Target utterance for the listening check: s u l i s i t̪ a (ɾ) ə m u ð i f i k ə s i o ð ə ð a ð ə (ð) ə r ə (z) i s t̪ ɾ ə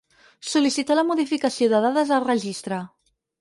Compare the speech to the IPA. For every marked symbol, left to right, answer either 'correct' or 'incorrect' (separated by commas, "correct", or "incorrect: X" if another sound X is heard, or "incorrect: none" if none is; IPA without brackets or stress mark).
incorrect: l, incorrect: z, incorrect: ʒ